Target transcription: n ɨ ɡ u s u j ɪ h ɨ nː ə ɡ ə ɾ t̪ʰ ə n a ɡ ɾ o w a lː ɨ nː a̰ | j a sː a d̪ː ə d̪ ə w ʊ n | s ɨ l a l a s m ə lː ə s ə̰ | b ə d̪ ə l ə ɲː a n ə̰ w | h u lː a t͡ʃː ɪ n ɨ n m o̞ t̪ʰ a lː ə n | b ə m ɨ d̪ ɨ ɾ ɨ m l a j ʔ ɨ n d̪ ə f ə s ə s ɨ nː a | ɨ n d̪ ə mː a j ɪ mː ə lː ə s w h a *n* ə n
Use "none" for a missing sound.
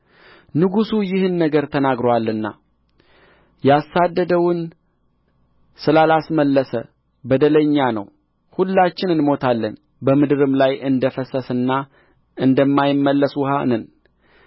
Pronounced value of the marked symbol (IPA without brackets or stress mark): n